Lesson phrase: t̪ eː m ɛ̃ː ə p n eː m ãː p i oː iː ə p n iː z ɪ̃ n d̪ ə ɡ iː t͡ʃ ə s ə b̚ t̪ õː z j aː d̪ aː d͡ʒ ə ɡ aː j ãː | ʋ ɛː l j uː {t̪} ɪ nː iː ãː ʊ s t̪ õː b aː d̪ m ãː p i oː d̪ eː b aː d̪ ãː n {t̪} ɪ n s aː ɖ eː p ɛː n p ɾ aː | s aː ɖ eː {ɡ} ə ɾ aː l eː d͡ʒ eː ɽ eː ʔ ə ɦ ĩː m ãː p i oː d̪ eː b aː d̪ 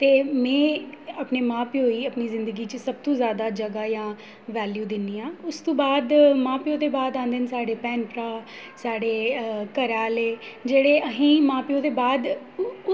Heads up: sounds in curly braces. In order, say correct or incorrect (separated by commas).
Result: incorrect, incorrect, incorrect